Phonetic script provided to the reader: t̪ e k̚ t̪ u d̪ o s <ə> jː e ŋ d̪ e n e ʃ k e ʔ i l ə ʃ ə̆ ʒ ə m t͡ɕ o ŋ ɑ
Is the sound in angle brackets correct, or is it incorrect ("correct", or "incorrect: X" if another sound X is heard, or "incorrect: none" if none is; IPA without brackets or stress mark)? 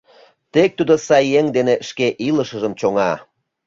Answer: incorrect: ɑ